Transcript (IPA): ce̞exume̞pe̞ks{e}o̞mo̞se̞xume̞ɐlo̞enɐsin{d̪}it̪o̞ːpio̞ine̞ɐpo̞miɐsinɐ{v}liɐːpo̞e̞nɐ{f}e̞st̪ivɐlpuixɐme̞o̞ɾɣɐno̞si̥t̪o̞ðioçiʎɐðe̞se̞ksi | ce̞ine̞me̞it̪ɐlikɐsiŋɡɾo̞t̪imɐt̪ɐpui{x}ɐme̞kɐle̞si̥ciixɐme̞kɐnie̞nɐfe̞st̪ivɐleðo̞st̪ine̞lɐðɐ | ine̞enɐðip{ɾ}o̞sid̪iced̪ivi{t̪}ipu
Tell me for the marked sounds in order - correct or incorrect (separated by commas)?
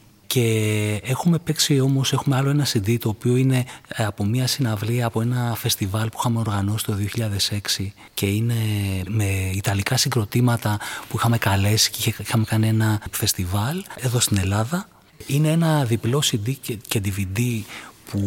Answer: incorrect, correct, correct, correct, correct, incorrect, incorrect